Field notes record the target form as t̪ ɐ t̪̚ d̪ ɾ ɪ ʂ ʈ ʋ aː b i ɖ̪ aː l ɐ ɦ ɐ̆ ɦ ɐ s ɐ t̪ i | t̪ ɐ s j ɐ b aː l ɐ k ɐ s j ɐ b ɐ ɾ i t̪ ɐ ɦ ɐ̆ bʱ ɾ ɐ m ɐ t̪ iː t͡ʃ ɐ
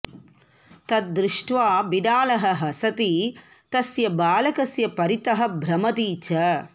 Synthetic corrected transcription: t̪ ɐ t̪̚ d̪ ɾ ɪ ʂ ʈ ʋ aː b i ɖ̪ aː l ɐ ɦ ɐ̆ ɦ ɐ s ɐ t̪ i | t̪ ɐ s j ɐ b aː l ɐ k ɐ s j ɐ p ɐ ɾ i t̪ ɐ ɦ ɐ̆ bʱ ɾ ɐ m ɐ t̪ iː t͡ʃ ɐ